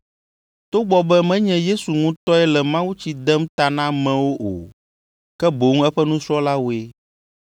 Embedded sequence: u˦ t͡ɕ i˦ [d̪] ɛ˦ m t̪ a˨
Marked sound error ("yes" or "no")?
no